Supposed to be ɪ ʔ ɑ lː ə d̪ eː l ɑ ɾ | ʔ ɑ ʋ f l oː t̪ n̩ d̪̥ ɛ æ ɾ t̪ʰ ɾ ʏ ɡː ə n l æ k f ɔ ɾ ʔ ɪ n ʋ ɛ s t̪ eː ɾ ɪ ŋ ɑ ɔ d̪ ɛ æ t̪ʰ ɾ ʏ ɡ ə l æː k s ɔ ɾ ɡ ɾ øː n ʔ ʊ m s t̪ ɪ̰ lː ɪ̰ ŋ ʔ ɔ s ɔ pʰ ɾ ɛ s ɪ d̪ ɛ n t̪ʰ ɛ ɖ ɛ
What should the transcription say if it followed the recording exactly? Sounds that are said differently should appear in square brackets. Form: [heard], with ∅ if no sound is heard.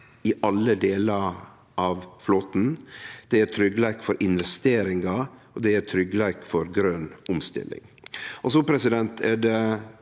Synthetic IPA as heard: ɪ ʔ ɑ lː ə d̪ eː l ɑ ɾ | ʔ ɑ ʋ f l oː t̪ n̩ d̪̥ ɛ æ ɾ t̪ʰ ɾ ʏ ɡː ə [∅] l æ k f ɔ ɾ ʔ ɪ n ʋ ɛ s t̪ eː ɾ ɪ ŋ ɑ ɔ d̪ ɛ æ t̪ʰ ɾ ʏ ɡ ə l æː k [f] ɔ ɾ ɡ ɾ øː n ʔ ʊ m s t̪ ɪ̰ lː ɪ̰ ŋ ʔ ɔ s ɔ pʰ ɾ ɛ s ɪ d̪ ɛ n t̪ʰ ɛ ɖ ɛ

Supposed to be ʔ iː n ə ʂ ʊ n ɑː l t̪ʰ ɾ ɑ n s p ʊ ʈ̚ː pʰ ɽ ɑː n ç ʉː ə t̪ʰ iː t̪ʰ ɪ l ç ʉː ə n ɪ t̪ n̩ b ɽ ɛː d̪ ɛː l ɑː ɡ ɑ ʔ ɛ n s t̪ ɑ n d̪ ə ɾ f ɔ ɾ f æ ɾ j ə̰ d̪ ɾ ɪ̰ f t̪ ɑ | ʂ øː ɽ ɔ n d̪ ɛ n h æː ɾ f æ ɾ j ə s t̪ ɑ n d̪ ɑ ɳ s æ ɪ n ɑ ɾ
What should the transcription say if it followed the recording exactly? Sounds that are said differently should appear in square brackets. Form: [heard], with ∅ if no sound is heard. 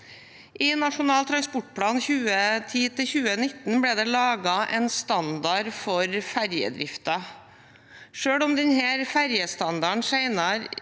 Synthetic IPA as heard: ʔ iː n [ɑ] ʂ ʊ n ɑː l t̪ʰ ɾ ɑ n s p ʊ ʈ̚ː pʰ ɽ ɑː n ç ʉː ə t̪ʰ iː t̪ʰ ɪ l ç ʉː ə n ɪ t̪ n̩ b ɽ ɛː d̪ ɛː l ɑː ɡ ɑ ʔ ɛ n s t̪ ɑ n d̪ [ɑ] ɾ f ɔ ɾ f æ ɾ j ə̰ d̪ ɾ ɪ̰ f t̪ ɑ | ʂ øː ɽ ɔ [m] d̪ ɛ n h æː ɾ f æ ɾ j ə s t̪ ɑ n d̪ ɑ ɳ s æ ɪ n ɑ ɾ

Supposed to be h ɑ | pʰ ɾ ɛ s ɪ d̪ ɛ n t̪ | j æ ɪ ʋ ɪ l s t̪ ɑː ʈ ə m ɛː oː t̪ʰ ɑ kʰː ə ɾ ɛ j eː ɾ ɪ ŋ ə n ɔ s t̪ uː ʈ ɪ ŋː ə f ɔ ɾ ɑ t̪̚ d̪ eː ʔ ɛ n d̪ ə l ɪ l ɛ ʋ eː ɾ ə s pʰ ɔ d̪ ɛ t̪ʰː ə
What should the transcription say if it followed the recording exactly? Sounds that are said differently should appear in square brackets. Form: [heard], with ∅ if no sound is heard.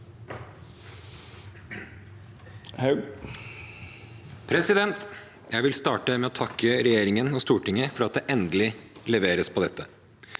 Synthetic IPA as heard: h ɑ | pʰ ɾ ɛ s ɪ d̪ ɛ n t̪ | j æ ɪ ʋ ɪ l s t̪ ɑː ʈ ə m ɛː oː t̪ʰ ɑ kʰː ə ɾ ɛ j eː ɾ ɪ ŋ ə n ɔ s t̪ uː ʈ ɪ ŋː ə f ɔ ɾ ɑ t̪̚ d̪ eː ʔ ɛ n d̪ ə l ɪ l ɛ ʋ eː ɾ ə s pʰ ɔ d̪ ɛ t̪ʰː ə

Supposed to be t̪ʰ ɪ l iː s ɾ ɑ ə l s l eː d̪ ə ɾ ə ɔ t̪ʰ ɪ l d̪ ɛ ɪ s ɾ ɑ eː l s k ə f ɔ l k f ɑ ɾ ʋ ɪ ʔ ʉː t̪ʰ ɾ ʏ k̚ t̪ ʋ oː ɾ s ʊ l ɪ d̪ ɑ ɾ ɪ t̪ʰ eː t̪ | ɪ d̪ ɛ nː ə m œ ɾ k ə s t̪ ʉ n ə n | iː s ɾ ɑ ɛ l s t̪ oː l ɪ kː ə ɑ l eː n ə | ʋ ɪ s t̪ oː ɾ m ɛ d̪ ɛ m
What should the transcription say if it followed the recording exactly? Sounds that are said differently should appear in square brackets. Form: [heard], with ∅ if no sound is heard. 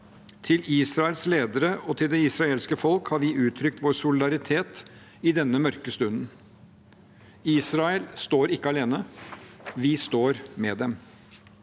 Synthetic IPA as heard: t̪ʰ ɪ l iː s ɾ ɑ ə l s l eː d̪ ə ɾ ə ɔ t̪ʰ ɪ l d̪ ɛ ɪ s ɾ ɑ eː l s k ə f ɔ l k [h] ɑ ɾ ʋ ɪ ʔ ʉː t̪ʰ ɾ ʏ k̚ t̪ ʋ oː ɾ s ʊ l ɪ d̪ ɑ ɾ ɪ t̪ʰ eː t̪ | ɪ d̪ ɛ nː ə m œ ɾ k ə s t̪ ʉ n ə n | iː s ɾ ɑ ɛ l s t̪ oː [ɾ] ɪ kː ə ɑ l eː n ə | ʋ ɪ s t̪ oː ɾ m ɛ d̪ ɛ m

